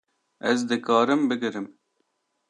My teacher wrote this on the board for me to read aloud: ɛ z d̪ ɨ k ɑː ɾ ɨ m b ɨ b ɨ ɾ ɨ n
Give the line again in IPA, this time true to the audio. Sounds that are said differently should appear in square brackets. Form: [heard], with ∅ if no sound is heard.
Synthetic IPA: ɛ z d̪ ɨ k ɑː ɾ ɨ m b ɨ [ɡ] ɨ ɾ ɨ [m]